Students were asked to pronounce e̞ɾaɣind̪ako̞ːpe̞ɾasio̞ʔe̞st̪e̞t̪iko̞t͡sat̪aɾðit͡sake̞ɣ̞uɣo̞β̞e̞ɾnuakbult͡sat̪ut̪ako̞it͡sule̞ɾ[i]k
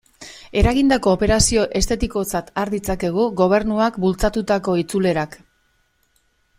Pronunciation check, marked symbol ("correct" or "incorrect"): incorrect